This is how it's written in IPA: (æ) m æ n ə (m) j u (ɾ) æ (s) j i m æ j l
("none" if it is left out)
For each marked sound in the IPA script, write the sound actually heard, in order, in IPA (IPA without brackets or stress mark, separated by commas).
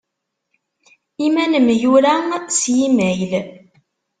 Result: i, m, ɾ, s